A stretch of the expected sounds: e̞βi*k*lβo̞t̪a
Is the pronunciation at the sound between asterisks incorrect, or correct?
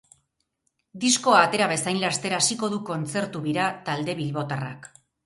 incorrect: none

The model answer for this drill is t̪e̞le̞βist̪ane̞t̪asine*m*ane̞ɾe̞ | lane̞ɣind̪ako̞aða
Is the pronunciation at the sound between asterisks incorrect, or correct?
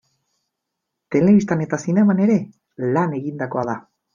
correct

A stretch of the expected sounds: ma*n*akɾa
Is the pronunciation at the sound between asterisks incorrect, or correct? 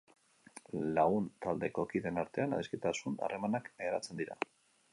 correct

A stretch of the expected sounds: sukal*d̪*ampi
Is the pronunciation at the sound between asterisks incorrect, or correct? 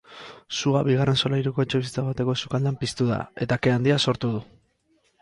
correct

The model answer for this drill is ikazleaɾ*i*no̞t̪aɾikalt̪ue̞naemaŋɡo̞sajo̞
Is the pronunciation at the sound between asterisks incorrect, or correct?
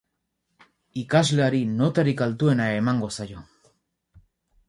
correct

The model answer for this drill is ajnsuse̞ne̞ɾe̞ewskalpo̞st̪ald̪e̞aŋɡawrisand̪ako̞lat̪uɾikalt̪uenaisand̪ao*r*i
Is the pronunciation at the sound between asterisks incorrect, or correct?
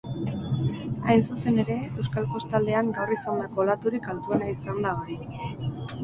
incorrect: ɾ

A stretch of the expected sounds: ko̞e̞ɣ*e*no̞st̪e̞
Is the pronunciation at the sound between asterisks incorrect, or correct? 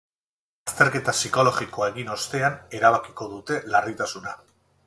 incorrect: i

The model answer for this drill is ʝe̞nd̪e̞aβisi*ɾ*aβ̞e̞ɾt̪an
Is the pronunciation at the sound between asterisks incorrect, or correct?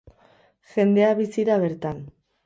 correct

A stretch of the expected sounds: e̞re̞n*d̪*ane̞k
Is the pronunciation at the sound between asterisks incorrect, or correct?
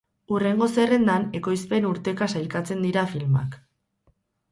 correct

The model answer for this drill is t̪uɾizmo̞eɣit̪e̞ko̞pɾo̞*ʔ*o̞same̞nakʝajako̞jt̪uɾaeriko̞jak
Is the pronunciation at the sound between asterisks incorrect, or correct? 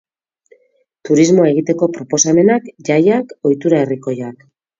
incorrect: p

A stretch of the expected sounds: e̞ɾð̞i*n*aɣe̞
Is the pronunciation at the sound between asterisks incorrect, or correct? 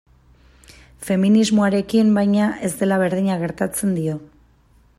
incorrect: ɲ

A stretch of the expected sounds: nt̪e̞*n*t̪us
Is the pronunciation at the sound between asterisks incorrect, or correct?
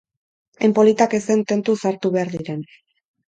correct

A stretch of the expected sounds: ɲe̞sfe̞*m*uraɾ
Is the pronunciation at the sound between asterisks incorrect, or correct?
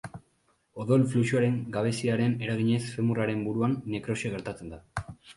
correct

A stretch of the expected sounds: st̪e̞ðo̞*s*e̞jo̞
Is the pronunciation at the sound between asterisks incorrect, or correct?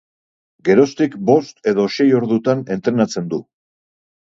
incorrect: ʃ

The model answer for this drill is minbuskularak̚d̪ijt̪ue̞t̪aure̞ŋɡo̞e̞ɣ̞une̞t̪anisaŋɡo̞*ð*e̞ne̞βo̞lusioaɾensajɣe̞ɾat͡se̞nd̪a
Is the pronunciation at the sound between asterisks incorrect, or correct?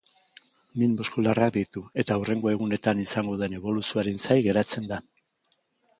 correct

